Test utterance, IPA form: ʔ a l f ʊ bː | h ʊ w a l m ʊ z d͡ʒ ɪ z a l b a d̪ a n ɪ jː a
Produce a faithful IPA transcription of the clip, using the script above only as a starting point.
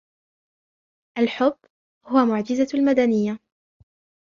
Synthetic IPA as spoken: ʔ a l ħ ʊ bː | h ʊ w a m ʊ ʕ d͡ʒ ɪ z a l m a d̪ a n ɪ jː a